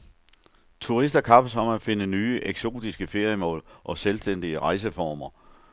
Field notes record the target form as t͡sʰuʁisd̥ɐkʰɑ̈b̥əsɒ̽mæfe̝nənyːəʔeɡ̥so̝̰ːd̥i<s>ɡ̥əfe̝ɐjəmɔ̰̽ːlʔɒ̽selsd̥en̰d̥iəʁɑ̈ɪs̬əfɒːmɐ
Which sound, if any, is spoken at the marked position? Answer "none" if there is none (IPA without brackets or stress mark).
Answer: s